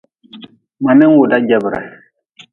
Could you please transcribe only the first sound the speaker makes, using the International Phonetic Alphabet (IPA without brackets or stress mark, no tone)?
m